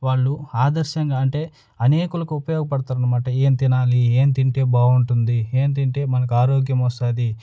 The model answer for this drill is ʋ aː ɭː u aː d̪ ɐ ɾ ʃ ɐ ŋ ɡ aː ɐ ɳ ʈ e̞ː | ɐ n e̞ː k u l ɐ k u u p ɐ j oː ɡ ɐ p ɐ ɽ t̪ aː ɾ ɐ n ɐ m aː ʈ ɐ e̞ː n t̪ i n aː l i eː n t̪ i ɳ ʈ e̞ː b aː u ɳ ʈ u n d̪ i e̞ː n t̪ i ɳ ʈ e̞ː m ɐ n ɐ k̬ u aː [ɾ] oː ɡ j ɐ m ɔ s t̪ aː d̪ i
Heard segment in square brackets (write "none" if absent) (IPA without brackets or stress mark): ɾ